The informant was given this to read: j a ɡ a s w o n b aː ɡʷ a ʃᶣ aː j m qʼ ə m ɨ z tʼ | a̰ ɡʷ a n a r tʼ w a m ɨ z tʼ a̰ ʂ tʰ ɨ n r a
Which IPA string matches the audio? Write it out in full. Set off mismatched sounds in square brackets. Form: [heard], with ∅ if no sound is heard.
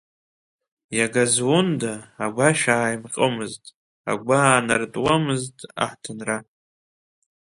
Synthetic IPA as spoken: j a ɡ a [z] w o n [d] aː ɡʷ a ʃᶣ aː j m qʼ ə m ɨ z tʼ | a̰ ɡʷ a n a r tʼ w a m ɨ z tʼ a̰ [ħ] tʰ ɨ n r a

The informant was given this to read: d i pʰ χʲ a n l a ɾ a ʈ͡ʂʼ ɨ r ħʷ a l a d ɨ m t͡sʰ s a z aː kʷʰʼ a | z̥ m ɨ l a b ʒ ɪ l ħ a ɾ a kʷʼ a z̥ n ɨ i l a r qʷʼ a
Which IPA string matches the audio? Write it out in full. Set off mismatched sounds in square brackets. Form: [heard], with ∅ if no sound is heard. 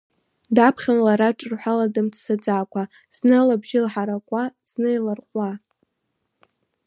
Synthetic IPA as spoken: d [a] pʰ χʲ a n l a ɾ a ʈ͡ʂʼ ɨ r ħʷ a l a d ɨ m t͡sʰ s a [d͡z] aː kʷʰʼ a | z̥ [n] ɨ l a b ʒ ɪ l ħ a ɾ a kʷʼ a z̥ n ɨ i l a r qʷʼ a

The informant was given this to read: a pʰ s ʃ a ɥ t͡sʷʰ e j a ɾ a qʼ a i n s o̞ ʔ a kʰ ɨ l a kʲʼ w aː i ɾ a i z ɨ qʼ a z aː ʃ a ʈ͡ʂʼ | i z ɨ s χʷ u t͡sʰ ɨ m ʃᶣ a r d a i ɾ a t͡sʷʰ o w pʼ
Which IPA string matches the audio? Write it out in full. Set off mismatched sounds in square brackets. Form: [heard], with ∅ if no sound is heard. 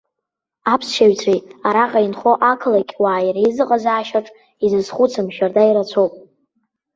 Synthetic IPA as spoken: a pʰ s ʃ a ɥ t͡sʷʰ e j a ɾ a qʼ a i n [χ] o̞ ʔ a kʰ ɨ l a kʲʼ w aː [j] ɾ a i z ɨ qʼ a z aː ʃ a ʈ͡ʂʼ | i z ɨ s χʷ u t͡sʰ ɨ m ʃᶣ a r d a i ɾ a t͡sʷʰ o w pʼ

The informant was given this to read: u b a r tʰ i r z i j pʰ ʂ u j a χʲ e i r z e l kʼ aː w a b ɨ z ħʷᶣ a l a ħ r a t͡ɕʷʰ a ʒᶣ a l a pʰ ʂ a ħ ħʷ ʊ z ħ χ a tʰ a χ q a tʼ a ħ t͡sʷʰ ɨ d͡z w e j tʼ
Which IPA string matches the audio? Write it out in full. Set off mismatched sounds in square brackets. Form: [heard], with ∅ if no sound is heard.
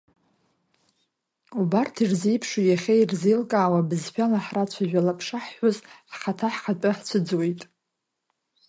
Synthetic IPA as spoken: u b a r tʰ i r z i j pʰ ʂ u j a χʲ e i r z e l kʼ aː w a b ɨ z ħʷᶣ a l a ħ r a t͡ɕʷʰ a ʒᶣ a l a pʰ ʂ a ħ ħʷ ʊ z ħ χ a tʰ a [ħ] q a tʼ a ħ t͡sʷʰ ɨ d͡z w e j tʼ

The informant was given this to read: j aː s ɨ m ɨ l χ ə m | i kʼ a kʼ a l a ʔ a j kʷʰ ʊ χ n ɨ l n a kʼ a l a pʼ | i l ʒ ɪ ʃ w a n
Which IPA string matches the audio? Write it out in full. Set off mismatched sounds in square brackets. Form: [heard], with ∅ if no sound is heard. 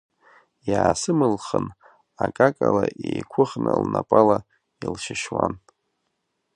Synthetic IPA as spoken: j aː s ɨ m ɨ l χ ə [n] | [a] kʼ a kʼ a l a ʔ [e] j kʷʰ ʊ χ n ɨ l n a [pʼ] a l a [∅] | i l [ʃ] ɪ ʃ w a n

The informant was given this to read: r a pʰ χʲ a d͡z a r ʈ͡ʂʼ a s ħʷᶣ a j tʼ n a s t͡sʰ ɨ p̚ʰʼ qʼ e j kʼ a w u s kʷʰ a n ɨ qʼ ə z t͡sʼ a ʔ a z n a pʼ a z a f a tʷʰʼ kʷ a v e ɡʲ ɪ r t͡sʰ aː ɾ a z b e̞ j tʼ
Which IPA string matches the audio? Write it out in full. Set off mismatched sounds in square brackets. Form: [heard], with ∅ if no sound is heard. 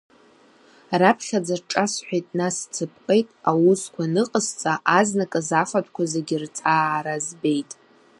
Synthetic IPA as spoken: r a pʰ χʲ a d͡z a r ʈ͡ʂʼ a s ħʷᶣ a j tʼ n a s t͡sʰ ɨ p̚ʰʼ qʼ e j [tʼ] a w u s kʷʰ a n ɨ qʼ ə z t͡sʼ a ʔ a z n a [kʼ] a z a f a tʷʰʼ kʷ a [z] e ɡʲ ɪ r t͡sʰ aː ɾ a z b e̞ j tʼ

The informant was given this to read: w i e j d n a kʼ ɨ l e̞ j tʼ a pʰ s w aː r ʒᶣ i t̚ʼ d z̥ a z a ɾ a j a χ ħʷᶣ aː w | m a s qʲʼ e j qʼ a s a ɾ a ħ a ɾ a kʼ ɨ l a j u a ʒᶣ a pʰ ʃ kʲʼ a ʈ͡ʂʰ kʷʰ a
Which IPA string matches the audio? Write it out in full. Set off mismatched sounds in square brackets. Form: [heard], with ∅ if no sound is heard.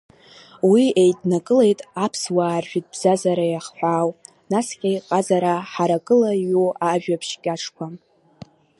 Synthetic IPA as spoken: w i e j d n a kʼ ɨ l e̞ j tʼ a pʰ s w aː r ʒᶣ i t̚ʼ [b] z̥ a z a ɾ a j a χ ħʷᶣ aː w | [n] a s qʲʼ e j qʼ a [z] a ɾ a ħ a ɾ a kʼ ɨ l a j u a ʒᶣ a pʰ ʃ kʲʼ a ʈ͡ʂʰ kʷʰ a

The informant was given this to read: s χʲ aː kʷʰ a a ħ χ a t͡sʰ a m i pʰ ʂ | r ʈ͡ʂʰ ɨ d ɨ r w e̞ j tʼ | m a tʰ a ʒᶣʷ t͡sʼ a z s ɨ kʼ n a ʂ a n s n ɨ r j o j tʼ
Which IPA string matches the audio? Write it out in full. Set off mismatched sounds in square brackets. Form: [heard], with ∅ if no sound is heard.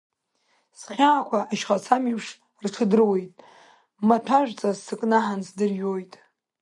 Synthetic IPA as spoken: s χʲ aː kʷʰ a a [ʃ] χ a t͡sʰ a m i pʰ ʂ | r ʈ͡ʂʰ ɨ d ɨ r w e̞ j tʼ | m a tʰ a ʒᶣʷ t͡sʼ a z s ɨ kʼ n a [ħ] a n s [d] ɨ r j o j tʼ

